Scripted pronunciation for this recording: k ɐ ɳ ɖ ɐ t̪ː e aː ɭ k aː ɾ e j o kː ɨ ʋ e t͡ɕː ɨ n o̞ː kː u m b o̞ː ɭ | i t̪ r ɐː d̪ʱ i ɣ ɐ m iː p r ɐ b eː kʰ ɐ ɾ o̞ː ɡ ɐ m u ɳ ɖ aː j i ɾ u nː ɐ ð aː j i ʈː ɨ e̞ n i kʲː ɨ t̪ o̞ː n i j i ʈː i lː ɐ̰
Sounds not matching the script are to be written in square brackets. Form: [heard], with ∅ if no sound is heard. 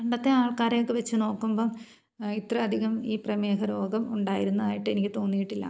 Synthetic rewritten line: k ɐ ɳ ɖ ɐ t̪ː e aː ɭ k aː ɾ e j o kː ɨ ʋ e t͡ɕː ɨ n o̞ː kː u m b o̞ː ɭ | i t̪ r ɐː d̪ʱ i ɣ ɐ m iː p r ɐ [m] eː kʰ ɐ ɾ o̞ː ɡ ɐ m u ɳ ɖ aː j i ɾ u nː ɐ ð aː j i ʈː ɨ e̞ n i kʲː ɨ t̪ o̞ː [nː] i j i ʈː i lː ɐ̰